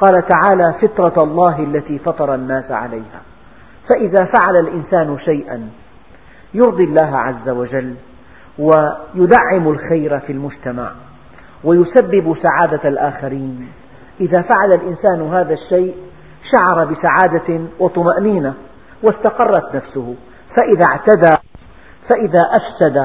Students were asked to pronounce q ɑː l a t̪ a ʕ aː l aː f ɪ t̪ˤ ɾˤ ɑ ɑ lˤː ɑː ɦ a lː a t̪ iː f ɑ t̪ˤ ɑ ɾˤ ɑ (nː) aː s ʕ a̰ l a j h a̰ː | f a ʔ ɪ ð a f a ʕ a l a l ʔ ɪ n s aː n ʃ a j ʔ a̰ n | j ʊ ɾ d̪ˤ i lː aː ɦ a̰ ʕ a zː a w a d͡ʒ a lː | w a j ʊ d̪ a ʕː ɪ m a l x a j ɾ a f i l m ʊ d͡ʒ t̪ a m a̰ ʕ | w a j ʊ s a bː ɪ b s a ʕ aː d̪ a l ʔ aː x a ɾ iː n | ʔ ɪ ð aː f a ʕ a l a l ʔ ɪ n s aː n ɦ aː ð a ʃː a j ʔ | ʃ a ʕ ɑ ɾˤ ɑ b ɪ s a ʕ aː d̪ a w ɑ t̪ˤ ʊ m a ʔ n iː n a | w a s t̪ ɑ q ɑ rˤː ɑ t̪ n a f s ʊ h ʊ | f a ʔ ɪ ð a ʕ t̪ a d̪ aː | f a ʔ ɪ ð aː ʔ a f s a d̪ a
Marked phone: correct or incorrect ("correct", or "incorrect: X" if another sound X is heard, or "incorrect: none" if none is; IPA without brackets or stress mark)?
correct